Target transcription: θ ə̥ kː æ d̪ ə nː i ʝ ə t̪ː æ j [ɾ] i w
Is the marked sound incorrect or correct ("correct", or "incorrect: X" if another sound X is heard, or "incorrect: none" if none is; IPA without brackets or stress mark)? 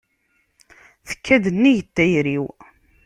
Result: correct